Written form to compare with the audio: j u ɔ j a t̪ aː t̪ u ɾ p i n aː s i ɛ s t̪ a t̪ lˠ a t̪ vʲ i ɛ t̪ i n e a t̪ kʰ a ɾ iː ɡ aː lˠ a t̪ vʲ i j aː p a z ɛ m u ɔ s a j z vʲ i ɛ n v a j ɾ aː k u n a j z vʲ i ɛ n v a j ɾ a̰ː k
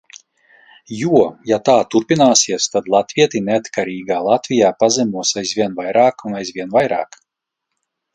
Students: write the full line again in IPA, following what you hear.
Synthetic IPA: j u ɔ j a t̪ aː t̪ u ɾ p i n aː s i ɛ s t̪ a d̪ lˠ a t̪ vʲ i ɛ t̪ i n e a t̪ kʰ a ɾ iː ɡ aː lˠ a t̪ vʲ i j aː p a z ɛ m u ɔ s a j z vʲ i ɛ n v a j ɾ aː k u n a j z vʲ i ɛ n v a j ɾ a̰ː k